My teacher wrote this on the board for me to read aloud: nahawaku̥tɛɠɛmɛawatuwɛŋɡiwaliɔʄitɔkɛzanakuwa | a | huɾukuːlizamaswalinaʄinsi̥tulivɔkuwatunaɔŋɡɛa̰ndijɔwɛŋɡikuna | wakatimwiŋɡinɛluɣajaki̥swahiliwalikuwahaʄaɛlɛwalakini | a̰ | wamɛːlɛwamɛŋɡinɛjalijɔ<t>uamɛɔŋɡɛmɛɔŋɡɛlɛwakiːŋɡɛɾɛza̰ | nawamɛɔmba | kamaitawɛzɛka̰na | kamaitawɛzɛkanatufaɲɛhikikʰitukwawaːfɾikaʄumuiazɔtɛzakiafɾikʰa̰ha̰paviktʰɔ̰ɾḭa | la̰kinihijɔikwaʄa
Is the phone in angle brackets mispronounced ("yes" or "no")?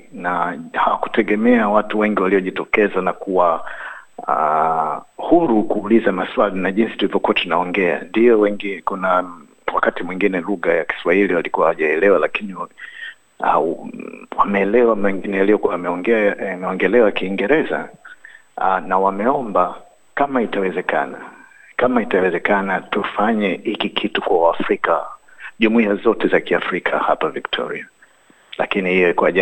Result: yes